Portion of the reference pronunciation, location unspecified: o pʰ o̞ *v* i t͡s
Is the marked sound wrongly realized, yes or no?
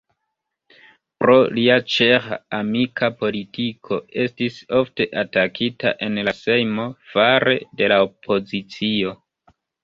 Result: yes